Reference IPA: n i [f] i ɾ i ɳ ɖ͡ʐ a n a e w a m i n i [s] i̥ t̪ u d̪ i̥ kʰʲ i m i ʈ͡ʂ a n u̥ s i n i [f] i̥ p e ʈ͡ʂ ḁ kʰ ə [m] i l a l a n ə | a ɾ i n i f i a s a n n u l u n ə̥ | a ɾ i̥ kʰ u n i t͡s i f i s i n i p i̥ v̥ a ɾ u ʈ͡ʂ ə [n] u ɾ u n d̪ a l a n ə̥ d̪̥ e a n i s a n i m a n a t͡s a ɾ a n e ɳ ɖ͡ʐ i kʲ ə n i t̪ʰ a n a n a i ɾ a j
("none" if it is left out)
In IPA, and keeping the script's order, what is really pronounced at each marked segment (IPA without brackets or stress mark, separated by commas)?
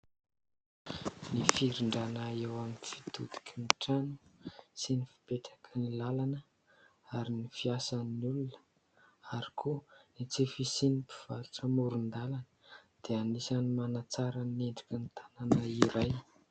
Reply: f, f, f, n, m